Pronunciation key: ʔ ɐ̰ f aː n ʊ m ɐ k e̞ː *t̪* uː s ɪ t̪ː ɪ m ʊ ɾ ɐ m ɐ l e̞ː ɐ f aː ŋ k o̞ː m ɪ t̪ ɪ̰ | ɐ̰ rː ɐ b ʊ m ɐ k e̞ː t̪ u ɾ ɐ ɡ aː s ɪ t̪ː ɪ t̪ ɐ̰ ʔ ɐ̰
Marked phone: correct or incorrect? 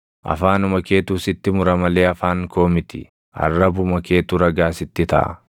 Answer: correct